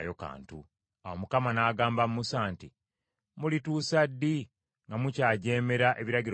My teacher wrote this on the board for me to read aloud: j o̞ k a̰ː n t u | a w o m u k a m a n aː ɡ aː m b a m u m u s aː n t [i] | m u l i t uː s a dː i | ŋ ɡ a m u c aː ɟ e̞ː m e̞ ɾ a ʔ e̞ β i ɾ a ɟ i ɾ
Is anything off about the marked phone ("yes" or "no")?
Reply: no